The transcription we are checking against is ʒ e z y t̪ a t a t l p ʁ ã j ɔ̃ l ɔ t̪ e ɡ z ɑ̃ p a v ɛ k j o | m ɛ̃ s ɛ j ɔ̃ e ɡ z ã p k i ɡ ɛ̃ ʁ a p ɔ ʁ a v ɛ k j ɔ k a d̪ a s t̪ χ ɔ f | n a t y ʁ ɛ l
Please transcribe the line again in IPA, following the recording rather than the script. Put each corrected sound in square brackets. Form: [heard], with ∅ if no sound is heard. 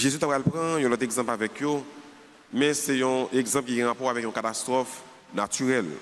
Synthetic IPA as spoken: ʒ e z y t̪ a [p] a [∅] l p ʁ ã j ɔ̃ l ɔ t̪ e ɡ z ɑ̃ p a v ɛ k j o | m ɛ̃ s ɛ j ɔ̃ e ɡ z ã p k i ɡ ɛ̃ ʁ a p ɔ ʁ a v ɛ k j [ɔ̃] k a [t̪] a s t̪ [ʁ] ɔ f | n a t y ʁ ɛ l